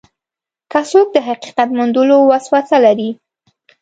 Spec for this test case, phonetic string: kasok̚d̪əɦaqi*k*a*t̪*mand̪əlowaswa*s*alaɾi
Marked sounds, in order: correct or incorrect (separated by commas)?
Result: incorrect, correct, correct